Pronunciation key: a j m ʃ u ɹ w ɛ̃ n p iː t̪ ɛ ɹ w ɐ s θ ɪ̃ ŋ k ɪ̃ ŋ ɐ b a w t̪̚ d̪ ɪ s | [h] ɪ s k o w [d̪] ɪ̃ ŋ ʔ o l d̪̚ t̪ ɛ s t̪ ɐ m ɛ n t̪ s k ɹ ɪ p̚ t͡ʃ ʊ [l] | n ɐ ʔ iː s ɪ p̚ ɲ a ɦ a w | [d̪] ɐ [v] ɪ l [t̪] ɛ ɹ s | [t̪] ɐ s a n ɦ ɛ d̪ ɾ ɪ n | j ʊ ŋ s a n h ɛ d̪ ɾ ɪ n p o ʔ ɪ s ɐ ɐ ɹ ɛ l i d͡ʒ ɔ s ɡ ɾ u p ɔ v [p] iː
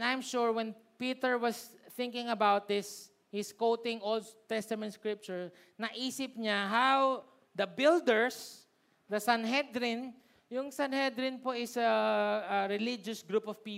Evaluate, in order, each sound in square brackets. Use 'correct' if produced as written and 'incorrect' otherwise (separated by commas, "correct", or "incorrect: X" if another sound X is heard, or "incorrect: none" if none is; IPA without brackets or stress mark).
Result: correct, incorrect: t̪, incorrect: ɹ, correct, incorrect: b, incorrect: d̪, incorrect: d̪, correct